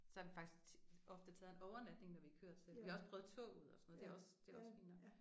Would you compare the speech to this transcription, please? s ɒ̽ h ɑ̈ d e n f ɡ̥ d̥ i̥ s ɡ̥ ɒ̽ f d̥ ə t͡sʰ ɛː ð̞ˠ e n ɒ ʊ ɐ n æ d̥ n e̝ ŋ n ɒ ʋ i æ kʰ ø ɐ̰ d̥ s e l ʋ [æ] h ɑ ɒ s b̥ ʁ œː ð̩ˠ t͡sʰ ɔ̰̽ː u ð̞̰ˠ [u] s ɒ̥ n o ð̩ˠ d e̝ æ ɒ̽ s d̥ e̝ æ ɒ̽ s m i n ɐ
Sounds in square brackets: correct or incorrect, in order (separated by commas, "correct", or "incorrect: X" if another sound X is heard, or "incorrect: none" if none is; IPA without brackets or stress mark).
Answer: incorrect: i, incorrect: ɒ